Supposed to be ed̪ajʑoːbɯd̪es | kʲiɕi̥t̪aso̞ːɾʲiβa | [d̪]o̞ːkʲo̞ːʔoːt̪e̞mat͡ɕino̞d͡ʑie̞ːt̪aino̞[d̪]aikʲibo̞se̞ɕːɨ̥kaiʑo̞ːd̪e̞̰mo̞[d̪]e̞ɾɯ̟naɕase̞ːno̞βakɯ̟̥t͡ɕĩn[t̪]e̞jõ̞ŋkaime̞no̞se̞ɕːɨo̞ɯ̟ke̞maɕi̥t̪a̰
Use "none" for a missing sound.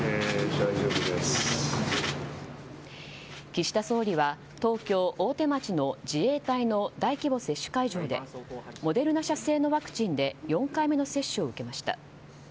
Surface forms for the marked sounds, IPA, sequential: t̪, d̪, d̪, d̪

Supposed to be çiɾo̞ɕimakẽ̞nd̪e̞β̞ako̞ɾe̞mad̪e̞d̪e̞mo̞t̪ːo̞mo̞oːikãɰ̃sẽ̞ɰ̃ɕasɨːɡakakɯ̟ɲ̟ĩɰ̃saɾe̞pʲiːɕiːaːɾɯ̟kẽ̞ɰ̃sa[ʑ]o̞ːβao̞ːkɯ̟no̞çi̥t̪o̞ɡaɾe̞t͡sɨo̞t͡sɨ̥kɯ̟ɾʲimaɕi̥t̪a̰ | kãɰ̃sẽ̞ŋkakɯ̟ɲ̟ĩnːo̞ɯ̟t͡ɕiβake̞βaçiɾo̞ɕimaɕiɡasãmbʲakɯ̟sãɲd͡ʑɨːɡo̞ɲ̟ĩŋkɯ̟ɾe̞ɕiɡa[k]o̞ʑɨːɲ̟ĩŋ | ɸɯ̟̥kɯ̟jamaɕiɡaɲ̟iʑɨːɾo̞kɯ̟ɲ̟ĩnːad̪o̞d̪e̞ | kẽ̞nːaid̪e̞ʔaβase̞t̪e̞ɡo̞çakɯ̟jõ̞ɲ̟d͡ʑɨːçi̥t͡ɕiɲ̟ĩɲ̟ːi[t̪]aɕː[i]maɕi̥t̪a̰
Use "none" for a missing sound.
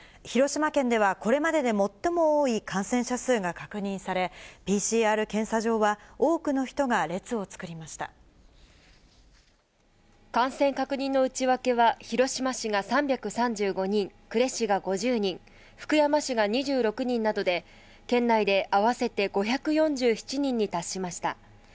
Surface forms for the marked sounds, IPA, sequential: ʑ, ɡ, t̪, i

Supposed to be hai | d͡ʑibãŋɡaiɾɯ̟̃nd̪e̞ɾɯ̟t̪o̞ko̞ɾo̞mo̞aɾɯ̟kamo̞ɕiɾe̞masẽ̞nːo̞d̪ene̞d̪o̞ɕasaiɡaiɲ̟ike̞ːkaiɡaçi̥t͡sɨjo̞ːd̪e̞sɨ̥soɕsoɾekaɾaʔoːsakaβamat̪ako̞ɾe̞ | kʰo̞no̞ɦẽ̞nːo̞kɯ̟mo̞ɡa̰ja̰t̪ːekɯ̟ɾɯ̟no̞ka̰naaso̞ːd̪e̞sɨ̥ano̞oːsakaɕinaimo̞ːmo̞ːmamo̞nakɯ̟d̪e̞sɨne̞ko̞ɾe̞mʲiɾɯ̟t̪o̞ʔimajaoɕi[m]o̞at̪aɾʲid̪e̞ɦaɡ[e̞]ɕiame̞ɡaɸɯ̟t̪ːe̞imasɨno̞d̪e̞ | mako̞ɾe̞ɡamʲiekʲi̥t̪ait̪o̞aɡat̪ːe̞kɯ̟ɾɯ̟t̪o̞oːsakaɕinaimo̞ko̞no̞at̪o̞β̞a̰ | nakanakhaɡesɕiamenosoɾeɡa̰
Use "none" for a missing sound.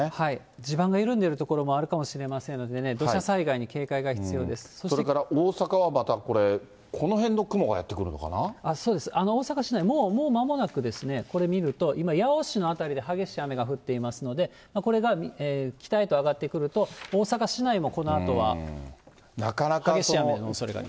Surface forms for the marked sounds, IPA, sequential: n, e̞

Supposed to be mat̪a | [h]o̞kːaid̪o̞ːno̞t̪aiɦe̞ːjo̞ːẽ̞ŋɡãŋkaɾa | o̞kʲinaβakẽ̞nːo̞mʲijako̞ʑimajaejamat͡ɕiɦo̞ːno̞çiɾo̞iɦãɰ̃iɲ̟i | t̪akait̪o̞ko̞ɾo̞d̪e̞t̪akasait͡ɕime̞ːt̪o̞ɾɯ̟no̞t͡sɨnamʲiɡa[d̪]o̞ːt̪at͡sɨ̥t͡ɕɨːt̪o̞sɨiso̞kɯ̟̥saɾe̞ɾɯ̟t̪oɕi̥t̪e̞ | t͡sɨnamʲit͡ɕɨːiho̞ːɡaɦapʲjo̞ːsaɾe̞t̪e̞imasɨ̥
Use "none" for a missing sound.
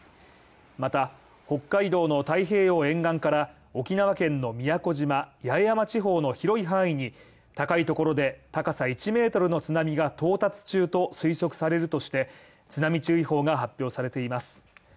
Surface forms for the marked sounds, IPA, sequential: h, t̪

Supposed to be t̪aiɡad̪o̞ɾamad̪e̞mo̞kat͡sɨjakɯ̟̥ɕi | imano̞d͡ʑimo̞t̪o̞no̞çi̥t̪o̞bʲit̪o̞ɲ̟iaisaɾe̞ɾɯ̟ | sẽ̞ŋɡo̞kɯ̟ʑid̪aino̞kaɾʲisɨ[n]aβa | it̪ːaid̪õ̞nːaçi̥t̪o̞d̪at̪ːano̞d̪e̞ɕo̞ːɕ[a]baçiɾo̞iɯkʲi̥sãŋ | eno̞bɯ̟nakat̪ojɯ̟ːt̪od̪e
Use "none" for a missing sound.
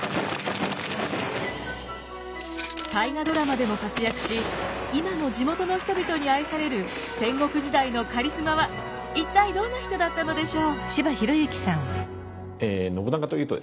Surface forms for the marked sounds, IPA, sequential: m, i

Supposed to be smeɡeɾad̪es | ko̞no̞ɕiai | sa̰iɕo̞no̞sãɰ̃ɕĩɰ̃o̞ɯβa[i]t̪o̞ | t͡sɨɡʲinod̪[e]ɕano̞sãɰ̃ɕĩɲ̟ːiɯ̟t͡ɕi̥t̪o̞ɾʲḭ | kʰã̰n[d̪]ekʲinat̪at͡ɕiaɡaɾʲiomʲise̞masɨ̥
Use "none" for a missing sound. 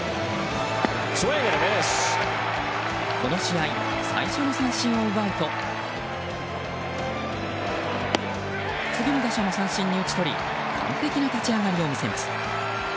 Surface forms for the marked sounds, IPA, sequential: i, a, t̪

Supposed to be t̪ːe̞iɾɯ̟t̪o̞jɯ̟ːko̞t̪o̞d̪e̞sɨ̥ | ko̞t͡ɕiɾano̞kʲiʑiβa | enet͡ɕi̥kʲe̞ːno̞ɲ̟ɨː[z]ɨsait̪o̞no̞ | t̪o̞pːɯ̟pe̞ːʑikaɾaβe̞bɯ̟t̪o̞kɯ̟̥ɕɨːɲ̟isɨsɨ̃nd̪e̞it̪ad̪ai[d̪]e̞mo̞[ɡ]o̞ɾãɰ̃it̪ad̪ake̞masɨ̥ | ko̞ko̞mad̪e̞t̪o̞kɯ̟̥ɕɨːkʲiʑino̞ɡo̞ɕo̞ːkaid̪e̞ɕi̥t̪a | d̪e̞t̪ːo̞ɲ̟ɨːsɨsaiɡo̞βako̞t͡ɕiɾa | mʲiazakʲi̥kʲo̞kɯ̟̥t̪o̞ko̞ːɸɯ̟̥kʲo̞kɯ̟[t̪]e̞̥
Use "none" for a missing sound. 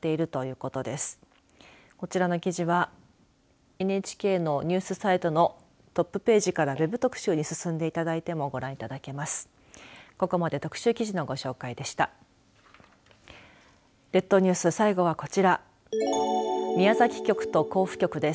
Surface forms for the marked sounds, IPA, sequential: s, t̪, ɡ, d̪

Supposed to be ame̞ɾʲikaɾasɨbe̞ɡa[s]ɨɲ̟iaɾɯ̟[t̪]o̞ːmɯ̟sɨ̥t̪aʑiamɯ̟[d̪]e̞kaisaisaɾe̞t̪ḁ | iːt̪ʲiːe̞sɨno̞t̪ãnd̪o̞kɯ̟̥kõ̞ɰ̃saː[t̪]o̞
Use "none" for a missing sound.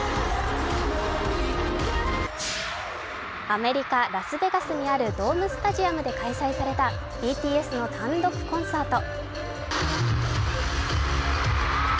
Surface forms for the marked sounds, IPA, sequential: s, d̪, d̪, t̪

